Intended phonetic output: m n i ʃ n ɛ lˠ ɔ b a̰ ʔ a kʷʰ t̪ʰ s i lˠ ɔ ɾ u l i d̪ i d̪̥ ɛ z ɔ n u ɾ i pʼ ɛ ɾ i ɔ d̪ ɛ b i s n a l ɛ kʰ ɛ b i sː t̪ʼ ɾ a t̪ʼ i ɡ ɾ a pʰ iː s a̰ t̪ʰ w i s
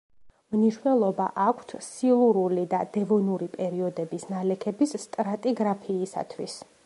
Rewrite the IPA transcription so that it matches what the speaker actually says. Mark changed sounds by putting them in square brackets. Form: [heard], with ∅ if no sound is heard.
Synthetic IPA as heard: m n i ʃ n ɛ lˠ ɔ b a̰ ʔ a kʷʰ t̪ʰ s i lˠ [u] ɾ u l i d̪ [a] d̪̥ ɛ [v] ɔ n u ɾ i pʼ ɛ ɾ i ɔ d̪ ɛ b i s n a l ɛ kʰ ɛ b i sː t̪ʼ ɾ a t̪ʼ i ɡ ɾ a pʰ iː s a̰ t̪ʰ w i s